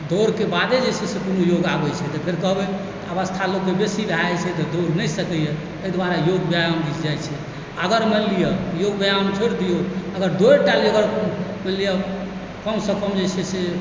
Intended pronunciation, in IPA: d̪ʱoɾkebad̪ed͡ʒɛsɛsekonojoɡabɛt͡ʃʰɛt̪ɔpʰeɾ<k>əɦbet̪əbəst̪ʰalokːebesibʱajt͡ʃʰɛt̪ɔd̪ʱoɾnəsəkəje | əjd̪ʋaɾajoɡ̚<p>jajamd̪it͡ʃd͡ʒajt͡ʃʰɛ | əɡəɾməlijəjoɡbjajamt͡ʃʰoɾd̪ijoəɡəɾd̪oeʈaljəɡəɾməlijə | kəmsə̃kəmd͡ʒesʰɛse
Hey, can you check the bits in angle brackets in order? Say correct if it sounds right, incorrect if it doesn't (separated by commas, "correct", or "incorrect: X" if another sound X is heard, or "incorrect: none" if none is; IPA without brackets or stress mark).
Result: correct, incorrect: b